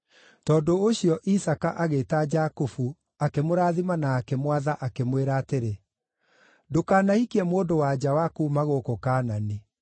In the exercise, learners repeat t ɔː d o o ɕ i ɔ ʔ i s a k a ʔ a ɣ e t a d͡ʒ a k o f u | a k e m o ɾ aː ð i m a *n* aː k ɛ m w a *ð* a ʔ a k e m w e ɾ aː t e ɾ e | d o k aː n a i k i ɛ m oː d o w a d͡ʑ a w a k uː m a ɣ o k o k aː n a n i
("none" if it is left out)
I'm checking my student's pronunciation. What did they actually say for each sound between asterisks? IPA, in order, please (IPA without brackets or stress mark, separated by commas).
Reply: n, ð